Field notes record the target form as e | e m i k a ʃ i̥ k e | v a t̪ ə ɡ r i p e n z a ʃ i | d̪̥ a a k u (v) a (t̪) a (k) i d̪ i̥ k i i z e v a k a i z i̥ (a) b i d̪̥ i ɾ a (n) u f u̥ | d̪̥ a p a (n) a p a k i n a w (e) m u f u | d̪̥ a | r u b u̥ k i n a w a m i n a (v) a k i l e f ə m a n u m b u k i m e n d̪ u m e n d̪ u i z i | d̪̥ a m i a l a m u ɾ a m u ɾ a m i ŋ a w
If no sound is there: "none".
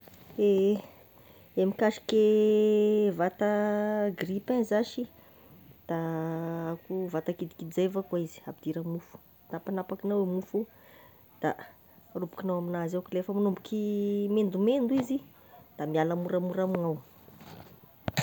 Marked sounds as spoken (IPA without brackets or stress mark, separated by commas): v, t̪, k, a, m, n, e, z